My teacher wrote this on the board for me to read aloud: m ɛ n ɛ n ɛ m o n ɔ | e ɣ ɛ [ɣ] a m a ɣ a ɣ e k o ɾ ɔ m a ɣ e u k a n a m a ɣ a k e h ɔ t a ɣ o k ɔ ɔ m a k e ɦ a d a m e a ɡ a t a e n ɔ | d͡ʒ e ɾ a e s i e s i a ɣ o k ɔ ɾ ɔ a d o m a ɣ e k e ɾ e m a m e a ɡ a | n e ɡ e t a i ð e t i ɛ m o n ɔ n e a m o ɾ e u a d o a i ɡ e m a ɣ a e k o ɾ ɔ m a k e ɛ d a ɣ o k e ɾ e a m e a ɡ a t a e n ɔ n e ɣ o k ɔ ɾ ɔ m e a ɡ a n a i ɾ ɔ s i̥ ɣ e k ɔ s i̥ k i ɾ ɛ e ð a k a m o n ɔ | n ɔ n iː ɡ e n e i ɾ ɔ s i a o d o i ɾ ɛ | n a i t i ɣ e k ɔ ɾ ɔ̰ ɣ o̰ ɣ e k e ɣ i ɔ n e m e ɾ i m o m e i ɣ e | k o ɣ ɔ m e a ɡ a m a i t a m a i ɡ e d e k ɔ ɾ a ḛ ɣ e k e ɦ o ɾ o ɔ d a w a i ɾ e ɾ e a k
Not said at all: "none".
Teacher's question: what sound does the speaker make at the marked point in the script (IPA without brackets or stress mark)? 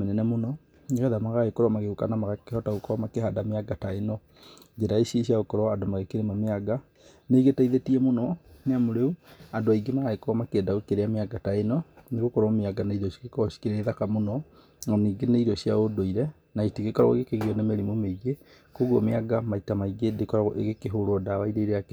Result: ð